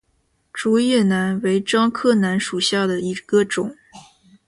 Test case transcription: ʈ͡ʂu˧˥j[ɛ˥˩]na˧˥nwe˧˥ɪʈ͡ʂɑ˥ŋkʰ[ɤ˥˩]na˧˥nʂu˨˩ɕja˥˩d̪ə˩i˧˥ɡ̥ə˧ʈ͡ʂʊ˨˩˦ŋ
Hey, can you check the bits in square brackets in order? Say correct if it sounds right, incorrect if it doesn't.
correct, correct

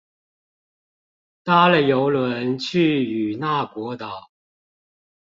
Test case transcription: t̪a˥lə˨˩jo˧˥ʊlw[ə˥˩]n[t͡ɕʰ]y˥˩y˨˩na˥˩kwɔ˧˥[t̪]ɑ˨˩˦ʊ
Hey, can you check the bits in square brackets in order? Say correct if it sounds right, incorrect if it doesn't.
incorrect: ə˧˦, correct, correct

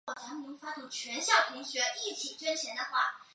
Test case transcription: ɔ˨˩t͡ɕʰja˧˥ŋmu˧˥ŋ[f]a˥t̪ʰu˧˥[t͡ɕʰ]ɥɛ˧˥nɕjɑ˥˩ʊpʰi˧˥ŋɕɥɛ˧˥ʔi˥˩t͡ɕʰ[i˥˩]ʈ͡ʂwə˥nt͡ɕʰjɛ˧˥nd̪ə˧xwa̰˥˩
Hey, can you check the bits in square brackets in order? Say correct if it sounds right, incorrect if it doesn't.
correct, correct, incorrect: i˨˩

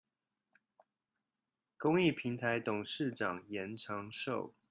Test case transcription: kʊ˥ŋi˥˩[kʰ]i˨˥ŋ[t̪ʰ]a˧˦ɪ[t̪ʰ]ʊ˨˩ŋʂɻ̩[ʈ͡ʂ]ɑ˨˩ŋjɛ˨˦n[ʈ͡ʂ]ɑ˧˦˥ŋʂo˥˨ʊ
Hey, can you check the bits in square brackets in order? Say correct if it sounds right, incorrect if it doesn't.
incorrect: pʰ, correct, incorrect: t̪, correct, incorrect: ʈ͡ʂʰ

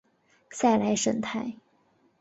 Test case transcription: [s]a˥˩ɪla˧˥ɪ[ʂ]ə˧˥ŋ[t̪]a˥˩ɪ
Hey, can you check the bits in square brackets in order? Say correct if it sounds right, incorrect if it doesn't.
correct, correct, incorrect: t̪ʰ

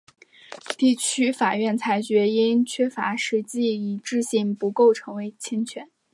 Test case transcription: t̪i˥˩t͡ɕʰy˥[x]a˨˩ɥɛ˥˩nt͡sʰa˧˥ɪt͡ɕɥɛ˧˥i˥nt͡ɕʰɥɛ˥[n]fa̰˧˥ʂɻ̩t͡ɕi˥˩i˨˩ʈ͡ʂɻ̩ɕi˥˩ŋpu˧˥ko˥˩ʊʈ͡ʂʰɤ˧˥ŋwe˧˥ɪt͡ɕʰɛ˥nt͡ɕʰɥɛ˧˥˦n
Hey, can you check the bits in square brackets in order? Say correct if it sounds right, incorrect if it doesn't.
incorrect: f, incorrect: none

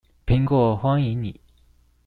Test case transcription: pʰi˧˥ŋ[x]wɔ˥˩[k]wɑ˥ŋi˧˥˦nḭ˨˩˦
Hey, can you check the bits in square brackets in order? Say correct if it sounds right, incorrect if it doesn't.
incorrect: k, incorrect: x

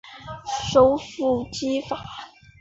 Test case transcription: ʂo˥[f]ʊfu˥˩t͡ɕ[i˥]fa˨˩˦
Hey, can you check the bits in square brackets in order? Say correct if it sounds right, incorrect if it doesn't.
incorrect: none, correct

